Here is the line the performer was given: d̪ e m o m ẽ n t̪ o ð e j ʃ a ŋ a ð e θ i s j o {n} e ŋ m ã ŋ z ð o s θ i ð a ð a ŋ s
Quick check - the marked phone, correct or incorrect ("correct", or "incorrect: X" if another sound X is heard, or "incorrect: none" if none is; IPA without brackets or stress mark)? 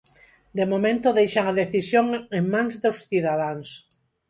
incorrect: ŋ